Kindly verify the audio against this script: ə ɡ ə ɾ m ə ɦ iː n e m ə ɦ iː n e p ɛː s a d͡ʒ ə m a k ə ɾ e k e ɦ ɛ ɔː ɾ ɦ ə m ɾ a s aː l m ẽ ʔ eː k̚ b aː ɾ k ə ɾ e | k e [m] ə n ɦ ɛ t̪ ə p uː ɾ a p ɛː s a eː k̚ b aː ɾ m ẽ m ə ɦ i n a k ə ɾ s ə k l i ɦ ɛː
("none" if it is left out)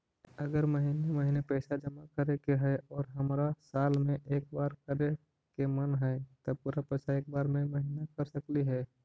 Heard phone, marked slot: m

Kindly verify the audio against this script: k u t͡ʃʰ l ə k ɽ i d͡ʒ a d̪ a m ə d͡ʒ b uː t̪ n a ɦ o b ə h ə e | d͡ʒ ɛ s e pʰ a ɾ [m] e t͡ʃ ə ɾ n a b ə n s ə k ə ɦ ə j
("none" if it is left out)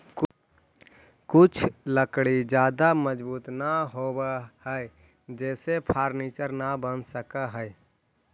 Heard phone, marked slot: n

